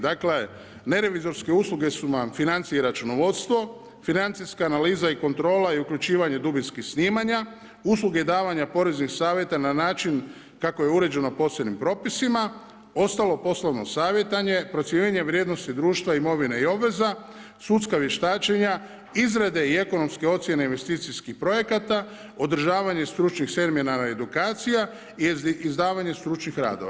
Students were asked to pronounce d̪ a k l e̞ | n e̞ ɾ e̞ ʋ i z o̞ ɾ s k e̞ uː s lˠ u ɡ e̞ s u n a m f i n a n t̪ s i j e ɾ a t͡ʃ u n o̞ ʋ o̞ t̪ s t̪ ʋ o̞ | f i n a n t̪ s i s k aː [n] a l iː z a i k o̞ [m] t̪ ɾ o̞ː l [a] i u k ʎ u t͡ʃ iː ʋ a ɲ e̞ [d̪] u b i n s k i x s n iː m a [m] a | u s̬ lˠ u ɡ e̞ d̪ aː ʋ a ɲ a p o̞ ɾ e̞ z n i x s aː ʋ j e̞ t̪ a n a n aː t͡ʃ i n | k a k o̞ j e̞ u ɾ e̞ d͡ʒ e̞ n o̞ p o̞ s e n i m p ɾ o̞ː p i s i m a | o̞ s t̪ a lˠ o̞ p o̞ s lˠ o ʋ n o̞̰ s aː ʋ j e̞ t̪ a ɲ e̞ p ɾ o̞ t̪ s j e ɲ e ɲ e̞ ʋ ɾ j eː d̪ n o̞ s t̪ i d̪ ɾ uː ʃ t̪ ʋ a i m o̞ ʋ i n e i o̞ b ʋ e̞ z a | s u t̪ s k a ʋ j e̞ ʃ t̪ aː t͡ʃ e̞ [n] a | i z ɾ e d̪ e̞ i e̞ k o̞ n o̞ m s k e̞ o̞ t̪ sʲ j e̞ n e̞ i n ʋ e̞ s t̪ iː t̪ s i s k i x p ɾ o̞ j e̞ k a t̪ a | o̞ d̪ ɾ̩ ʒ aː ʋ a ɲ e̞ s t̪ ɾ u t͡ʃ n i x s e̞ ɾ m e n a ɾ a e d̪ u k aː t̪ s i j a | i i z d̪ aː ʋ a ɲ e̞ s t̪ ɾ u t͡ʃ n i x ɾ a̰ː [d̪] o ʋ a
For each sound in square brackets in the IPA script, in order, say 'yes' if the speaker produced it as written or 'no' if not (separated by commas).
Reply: yes, no, yes, yes, no, no, yes